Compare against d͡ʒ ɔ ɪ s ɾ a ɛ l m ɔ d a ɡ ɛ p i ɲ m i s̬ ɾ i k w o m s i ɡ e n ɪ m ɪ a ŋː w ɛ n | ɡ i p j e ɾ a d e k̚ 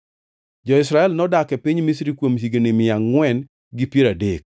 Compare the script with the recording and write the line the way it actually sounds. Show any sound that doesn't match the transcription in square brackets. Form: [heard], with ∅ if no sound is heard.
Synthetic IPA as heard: d͡ʒ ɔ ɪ s ɾ a ɛ l [n] ɔ d a [k] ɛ p i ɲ m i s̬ ɾ i k w o m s i ɡ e n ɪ m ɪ a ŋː w ɛ n | ɡ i p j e ɾ a d e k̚